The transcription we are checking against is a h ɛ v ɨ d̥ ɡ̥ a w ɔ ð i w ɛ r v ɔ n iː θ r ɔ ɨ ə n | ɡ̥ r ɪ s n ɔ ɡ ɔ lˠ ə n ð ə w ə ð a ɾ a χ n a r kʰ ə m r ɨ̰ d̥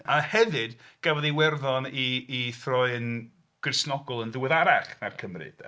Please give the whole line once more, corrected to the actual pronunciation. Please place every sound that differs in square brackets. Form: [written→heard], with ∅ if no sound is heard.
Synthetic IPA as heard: a h ɛ v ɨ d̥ ɡ̥ a [w→v] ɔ ð i w ɛ r [v→ð] ɔ n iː θ r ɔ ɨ ə n | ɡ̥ r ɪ s n ɔ ɡ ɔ lˠ ə n ð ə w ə ð a ɾ a χ n a r kʰ ə m r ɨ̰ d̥